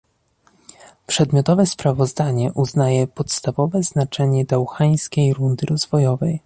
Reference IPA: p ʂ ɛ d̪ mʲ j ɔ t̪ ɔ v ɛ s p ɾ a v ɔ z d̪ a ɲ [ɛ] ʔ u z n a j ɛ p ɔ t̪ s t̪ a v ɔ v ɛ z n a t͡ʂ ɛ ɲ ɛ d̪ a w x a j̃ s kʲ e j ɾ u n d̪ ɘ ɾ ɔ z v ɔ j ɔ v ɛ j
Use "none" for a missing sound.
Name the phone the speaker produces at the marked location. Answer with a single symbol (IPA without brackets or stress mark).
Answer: ɛ